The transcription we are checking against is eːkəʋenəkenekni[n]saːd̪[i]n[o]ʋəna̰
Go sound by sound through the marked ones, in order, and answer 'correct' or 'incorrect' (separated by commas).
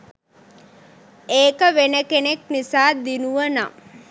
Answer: incorrect, correct, incorrect